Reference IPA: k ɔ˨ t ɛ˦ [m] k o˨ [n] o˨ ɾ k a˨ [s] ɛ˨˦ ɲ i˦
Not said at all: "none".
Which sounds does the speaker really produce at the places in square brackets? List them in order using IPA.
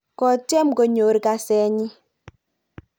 m, ɲ, s

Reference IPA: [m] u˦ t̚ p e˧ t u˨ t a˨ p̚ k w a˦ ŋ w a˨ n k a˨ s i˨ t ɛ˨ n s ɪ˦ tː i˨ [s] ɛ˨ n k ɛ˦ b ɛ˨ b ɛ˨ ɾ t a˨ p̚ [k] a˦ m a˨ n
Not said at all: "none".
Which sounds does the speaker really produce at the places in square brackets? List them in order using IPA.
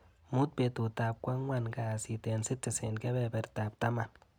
m, s, t

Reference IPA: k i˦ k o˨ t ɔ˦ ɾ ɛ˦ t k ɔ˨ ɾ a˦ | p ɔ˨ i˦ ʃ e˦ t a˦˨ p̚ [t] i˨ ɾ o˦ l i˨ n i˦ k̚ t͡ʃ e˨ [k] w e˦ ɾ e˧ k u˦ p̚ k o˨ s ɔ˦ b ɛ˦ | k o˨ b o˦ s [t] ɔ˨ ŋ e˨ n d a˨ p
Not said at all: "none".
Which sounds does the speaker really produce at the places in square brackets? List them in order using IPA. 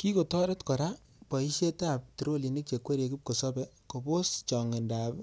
t, k, t͡ʃ

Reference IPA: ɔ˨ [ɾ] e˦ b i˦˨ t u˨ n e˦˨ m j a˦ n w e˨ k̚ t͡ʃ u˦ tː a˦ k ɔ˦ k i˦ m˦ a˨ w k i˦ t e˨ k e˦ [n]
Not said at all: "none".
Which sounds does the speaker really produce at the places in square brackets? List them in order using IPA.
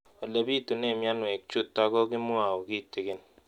l, n

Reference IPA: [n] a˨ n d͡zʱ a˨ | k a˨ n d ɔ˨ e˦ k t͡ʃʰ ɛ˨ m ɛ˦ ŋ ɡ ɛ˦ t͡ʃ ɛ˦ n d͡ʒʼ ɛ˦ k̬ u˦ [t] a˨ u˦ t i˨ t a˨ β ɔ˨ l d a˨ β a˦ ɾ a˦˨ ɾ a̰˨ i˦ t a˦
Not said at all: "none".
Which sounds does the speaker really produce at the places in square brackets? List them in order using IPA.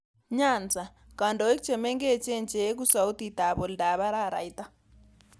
ɲ, s

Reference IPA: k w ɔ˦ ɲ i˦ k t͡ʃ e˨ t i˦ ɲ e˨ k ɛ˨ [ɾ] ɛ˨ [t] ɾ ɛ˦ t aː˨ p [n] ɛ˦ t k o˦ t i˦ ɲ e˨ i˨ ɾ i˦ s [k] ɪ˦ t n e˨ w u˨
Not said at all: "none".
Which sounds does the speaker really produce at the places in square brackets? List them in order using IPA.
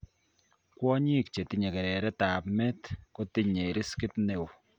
ɾ, none, m, k

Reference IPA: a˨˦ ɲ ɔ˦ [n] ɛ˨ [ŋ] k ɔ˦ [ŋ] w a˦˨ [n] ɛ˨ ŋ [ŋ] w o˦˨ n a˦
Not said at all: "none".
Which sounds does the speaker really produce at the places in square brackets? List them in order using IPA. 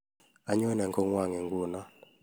n, ŋ, ŋ, ŋ, ɡ

